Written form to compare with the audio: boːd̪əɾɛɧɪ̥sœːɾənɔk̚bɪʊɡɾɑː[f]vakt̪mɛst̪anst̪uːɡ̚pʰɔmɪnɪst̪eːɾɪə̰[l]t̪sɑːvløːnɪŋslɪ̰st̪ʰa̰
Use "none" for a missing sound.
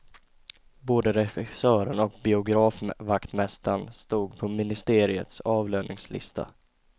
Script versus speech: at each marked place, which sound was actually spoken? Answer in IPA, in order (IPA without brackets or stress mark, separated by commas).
f, none